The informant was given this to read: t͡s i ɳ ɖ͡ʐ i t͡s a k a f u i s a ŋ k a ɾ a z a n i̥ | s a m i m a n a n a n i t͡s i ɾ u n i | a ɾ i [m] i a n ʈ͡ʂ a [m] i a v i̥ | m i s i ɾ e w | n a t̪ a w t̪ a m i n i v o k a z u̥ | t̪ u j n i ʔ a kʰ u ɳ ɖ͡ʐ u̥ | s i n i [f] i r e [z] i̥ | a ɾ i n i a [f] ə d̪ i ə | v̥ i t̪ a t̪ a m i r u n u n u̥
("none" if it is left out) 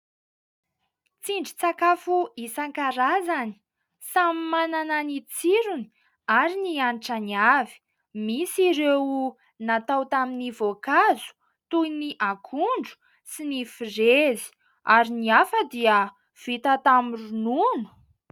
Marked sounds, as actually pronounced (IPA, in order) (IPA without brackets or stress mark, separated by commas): n, n, f, z, f